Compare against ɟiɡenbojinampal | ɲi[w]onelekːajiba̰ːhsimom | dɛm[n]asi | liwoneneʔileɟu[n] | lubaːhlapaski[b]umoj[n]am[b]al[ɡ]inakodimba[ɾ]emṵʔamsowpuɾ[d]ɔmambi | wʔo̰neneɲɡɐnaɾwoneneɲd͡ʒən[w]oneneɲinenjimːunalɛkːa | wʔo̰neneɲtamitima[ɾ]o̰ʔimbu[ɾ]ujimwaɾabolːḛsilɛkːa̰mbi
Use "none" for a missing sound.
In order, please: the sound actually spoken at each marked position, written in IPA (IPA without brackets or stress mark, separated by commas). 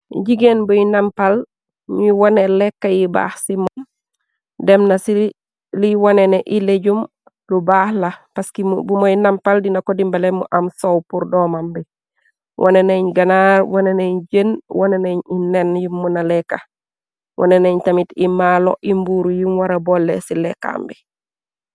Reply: w, n, m, b, n, p, d, l, d, w, l, ɾ